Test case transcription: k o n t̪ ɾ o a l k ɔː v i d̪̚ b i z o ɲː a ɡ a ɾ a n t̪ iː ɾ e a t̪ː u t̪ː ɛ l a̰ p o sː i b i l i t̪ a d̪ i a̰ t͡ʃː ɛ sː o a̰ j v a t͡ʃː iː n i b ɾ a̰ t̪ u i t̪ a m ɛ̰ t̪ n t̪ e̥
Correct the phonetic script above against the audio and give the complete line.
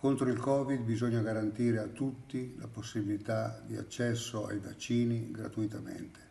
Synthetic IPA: k o n t̪ ɾ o i l k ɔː v i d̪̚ b i z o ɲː a ɡ a ɾ a n t̪ iː ɾ e a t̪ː u t̪ː i l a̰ p o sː i b i l i t̪ a d̪ i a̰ t͡ʃː ɛ sː o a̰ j v a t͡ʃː iː n i ɡ ɾ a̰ t̪ u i t̪ a m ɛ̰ n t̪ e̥